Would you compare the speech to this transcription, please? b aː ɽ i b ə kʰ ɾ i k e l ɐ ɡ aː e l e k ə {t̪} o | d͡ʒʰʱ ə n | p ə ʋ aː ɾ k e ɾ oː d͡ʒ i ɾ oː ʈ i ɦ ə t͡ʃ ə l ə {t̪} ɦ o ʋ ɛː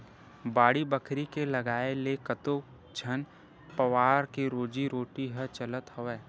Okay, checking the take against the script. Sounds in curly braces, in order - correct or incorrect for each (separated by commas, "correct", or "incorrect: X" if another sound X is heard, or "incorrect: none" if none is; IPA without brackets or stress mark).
correct, correct